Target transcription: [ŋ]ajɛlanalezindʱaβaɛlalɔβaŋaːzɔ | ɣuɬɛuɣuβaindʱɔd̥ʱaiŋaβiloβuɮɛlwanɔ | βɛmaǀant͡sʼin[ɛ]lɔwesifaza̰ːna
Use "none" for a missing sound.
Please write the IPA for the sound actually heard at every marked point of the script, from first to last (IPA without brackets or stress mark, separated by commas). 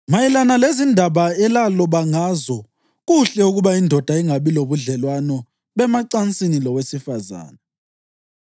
m, i